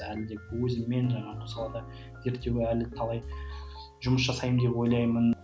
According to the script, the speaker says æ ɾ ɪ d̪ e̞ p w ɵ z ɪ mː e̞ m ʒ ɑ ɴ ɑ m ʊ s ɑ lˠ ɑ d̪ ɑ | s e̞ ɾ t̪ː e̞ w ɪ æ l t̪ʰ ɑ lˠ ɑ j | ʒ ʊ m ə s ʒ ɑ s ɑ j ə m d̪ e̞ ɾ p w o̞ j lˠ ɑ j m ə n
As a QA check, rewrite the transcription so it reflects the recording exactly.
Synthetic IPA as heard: æ l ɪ d̪ e̞ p w ɵ z ɪ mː e̞ n ʒ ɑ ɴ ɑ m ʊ s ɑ lˠ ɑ d̪ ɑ | z e̞ ɾ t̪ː e̞ w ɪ æ l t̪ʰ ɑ lˠ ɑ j | ʒ ʊ m ə s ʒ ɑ s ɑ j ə m d̪ e̞ p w o̞ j lˠ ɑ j m ə n